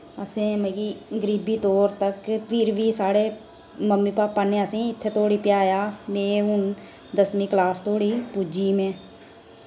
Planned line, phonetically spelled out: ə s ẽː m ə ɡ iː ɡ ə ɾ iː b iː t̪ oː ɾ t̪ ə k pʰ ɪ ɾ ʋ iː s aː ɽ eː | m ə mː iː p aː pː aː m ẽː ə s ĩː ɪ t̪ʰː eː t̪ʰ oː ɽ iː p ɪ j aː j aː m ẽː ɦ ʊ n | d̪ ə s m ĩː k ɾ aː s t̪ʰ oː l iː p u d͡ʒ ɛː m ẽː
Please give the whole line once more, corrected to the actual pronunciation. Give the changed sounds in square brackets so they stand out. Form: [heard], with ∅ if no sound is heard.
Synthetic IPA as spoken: ə s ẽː m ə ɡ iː ɡ ə ɾ iː b iː t̪ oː ɾ t̪ ə k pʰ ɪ ɾ ʋ iː s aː ɽ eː | m ə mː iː p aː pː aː [n] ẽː ə s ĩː ɪ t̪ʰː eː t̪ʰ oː ɽ iː p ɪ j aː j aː m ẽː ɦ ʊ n | d̪ ə s m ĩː k [l] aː s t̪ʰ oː [ɽ] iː p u d͡ʒ [iː] m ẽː